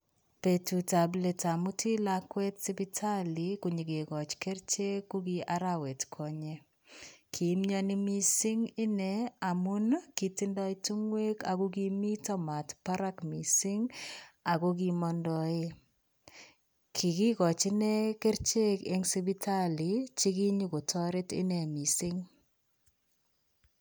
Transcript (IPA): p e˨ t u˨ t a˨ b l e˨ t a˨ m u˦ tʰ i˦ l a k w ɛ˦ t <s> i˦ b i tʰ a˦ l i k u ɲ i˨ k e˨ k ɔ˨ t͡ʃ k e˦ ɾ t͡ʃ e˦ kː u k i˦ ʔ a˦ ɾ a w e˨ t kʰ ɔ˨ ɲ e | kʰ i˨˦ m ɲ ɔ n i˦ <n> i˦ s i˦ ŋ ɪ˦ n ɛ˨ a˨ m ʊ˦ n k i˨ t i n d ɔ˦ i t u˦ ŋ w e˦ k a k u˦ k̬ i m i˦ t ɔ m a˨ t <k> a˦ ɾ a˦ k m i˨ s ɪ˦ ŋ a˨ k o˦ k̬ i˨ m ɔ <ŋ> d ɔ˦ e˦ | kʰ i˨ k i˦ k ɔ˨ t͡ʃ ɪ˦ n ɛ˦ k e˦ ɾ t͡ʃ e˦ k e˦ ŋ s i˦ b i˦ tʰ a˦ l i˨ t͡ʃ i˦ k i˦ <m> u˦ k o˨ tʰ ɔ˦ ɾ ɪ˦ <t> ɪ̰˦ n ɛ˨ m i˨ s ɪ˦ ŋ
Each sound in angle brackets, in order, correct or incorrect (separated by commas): correct, incorrect, incorrect, incorrect, incorrect, correct